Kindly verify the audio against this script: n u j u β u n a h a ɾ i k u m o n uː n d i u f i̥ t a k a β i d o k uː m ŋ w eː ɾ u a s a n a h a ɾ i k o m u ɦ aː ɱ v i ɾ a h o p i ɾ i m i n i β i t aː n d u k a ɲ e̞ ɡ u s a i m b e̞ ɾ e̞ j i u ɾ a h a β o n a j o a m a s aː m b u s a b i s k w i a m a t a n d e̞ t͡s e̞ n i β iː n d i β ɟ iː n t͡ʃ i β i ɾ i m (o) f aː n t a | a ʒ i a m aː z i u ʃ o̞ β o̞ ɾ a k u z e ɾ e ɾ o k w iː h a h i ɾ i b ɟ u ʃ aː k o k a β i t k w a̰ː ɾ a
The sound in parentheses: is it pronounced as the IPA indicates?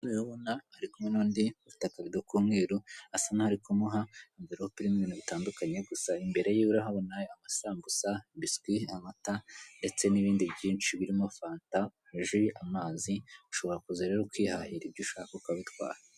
yes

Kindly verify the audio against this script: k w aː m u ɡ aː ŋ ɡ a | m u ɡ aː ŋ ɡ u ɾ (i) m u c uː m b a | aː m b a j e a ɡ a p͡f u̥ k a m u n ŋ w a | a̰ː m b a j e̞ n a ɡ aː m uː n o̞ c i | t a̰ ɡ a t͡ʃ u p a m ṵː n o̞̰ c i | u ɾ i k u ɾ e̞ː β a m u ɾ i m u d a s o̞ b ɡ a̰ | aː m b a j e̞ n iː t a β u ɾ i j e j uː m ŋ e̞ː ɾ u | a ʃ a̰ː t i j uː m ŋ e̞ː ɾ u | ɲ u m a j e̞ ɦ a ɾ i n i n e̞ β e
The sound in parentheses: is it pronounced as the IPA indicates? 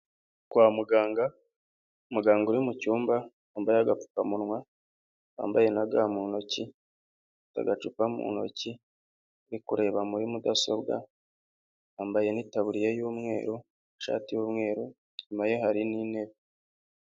yes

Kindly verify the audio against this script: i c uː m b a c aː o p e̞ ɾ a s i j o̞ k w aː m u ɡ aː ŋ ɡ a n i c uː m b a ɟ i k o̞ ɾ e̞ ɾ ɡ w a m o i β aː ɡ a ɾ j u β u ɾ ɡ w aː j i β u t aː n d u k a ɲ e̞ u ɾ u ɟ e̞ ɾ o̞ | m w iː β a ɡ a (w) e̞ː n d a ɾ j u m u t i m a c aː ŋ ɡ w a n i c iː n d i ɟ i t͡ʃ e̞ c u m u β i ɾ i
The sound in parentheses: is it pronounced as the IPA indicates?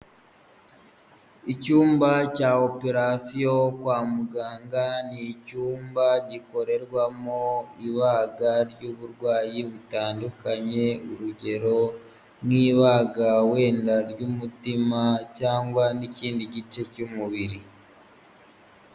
yes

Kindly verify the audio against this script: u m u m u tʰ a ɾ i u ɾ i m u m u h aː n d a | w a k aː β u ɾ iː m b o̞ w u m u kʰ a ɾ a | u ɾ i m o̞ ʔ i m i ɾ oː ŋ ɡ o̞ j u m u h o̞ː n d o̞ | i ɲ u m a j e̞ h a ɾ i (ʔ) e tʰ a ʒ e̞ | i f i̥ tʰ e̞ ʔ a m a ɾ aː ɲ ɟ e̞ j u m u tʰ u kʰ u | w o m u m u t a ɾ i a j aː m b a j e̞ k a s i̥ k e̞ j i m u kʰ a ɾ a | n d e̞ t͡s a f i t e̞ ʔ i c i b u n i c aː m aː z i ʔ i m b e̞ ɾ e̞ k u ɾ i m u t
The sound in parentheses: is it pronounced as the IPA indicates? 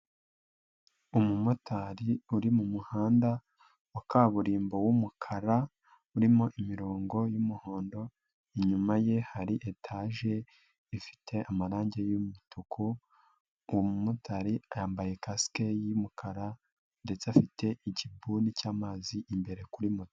yes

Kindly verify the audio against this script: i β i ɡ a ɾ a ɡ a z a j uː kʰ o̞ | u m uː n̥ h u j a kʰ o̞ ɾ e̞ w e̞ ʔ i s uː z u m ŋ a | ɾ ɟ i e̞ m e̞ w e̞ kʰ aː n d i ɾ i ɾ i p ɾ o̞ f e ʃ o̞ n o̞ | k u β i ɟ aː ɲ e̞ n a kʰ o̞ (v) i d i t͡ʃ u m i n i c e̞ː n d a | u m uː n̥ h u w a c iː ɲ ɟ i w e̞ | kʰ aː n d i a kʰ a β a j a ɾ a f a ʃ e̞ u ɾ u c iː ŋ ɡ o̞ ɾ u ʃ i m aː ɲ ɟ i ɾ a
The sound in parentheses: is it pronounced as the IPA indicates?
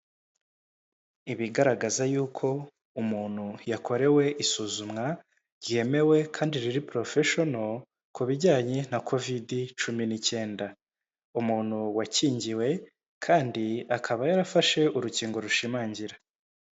yes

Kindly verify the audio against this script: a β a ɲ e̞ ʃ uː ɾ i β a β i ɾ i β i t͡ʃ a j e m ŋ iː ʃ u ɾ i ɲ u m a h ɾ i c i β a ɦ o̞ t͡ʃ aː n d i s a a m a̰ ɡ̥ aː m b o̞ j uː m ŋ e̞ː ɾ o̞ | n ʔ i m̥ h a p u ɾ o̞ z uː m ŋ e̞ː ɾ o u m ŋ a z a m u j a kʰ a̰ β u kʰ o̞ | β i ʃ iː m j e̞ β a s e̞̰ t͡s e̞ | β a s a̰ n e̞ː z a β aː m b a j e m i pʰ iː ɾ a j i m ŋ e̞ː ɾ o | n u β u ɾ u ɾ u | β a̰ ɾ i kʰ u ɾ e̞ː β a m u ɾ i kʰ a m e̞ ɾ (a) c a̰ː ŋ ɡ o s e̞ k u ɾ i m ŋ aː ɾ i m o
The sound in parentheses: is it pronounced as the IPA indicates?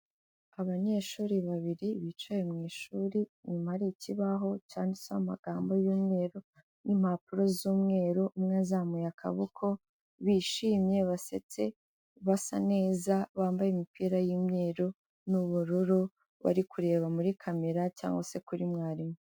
yes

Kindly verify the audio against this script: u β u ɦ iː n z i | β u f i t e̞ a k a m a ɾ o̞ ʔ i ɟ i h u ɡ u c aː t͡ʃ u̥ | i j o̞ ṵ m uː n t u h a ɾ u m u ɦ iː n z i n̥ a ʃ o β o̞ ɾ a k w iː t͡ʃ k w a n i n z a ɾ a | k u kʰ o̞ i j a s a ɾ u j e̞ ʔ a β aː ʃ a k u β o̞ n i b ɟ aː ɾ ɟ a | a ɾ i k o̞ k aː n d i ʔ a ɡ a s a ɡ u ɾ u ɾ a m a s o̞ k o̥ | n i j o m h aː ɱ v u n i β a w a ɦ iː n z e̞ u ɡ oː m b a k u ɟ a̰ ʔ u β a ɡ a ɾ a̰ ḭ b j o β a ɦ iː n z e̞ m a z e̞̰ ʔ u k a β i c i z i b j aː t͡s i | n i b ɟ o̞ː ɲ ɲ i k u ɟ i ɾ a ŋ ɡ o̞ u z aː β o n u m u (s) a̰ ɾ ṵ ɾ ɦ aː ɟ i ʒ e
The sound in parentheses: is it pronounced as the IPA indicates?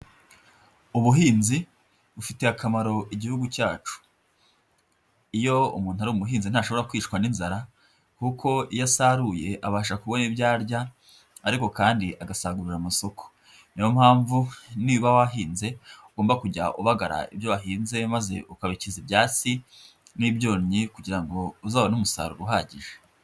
yes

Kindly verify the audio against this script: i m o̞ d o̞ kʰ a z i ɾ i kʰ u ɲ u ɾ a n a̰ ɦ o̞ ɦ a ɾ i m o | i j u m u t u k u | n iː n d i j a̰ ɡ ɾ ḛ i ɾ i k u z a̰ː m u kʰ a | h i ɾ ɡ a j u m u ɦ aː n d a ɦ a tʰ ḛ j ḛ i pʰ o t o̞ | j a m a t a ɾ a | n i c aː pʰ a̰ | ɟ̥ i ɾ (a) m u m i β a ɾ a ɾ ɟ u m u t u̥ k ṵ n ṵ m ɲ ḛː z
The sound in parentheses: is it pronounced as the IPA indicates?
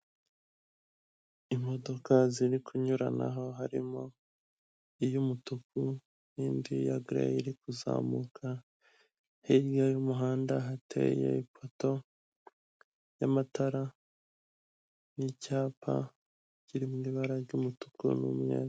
no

